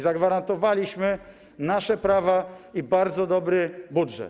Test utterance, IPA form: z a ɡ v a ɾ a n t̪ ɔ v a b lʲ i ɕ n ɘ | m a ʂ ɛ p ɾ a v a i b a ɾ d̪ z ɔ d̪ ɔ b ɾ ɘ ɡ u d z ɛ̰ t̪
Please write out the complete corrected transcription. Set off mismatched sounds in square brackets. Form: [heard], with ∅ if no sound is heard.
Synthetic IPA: z a ɡ v a ɾ a n t̪ ɔ v a [∅] lʲ i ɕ [m] ɘ | [n] a ʂ ɛ p ɾ a v a i b a ɾ d̪ z ɔ d̪ ɔ b ɾ ɘ [b] u d [ʐ] ɛ̰ t̪